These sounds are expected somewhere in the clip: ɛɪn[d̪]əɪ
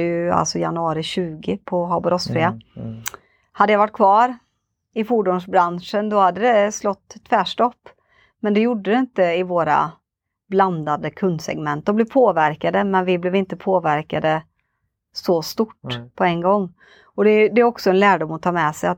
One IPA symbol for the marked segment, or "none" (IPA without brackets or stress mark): t̪